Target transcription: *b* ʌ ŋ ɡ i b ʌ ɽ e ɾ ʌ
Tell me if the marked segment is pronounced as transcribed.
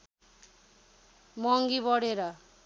no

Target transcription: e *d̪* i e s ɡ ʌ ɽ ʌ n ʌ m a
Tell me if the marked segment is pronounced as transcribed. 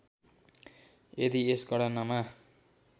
yes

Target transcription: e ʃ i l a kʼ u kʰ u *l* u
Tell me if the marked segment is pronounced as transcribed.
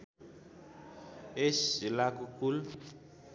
yes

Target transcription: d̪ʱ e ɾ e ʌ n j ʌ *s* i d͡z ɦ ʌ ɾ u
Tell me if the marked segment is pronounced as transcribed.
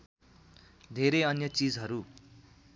no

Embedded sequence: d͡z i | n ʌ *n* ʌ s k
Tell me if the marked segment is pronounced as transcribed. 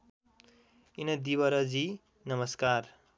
no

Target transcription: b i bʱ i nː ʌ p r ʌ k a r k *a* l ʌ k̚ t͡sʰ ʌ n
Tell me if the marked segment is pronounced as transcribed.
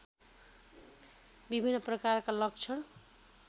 yes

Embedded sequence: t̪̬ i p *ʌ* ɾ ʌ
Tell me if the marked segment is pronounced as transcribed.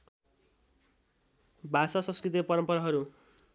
yes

